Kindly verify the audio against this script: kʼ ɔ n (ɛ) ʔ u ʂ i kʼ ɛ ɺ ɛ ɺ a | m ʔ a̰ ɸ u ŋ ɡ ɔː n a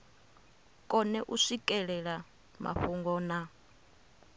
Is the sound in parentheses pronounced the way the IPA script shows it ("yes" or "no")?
yes